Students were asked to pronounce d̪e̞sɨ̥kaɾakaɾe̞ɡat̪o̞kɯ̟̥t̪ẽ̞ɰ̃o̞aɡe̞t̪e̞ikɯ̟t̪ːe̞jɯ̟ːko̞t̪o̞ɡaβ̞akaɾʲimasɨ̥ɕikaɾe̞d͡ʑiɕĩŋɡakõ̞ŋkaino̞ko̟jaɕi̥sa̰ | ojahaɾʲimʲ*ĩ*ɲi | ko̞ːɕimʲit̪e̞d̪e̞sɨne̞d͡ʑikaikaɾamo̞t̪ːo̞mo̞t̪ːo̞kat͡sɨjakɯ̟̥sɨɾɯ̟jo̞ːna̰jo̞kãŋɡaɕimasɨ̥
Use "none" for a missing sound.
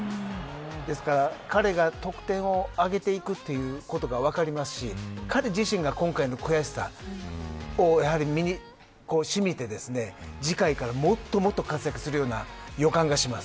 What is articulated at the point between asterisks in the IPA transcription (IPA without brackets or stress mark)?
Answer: i